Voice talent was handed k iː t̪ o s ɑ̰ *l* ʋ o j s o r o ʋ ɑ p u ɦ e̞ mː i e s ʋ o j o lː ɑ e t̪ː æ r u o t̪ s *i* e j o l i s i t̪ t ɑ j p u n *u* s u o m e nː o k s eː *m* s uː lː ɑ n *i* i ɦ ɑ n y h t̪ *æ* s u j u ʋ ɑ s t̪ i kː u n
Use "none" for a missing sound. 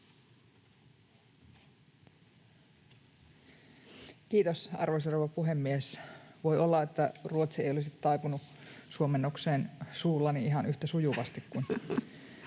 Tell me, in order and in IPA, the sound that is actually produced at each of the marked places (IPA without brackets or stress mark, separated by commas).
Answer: r, i, u, n, i, æ